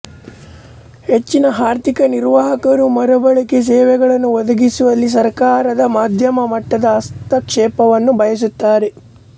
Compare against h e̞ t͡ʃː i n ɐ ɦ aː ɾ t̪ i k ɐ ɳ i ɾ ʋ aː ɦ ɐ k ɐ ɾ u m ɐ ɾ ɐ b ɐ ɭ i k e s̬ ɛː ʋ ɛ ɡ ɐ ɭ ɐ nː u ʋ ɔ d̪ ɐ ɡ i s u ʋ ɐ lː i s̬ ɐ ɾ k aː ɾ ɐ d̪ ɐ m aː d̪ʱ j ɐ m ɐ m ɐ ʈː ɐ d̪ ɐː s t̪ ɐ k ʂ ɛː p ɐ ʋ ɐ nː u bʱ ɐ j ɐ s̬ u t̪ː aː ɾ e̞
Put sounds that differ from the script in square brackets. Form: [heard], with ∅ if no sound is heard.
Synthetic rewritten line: h e̞ t͡ʃː i n ɐ ɦ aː ɾ t̪ i k ɐ [n] i ɾ ʋ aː ɦ ɐ k ɐ ɾ u m ɐ ɾ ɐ b ɐ ɭ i k e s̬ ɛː ʋ ɛ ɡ ɐ ɭ ɐ nː u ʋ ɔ d̪ ɐ ɡ i s u ʋ ɐ lː i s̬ ɐ ɾ k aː ɾ ɐ d̪ ɐ m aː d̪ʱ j ɐ m ɐ m ɐ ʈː ɐ d̪ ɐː s t̪ ɐ k ʂ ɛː p ɐ ʋ ɐ nː u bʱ ɐ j ɐ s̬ u t̪ː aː ɾ e̞